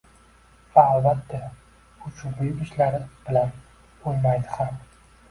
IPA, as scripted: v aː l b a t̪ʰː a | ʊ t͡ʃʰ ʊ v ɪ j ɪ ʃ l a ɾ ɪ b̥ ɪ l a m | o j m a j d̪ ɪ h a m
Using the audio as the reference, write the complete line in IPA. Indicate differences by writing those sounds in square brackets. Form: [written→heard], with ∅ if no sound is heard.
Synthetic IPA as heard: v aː l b a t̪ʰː a | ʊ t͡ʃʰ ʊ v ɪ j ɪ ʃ l a ɾ ɪ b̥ ɪ l a [m→n] | o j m a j d̪ ɪ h a m